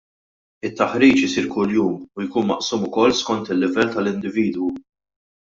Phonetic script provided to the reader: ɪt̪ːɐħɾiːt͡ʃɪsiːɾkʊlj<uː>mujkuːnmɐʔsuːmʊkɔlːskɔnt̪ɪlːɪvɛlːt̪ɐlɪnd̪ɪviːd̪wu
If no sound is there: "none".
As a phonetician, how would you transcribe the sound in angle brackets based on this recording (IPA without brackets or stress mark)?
uː